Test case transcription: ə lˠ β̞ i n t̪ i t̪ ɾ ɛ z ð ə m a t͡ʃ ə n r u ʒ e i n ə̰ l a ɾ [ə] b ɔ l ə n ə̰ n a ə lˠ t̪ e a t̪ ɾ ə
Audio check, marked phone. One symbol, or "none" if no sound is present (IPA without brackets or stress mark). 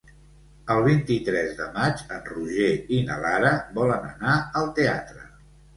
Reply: ə